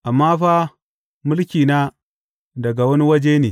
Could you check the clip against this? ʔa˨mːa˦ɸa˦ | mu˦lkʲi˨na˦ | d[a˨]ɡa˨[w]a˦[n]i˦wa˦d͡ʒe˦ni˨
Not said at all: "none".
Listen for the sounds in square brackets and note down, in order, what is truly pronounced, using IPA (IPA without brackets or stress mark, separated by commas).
a˨, w, n